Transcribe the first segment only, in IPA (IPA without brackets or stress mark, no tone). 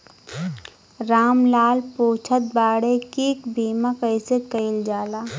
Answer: ɾ